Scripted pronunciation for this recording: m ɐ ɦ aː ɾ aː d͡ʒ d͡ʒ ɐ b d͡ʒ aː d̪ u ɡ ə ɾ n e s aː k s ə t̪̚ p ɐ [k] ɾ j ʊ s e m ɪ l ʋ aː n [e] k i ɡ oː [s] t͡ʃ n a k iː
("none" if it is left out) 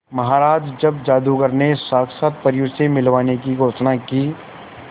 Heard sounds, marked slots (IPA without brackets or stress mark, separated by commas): none, e, none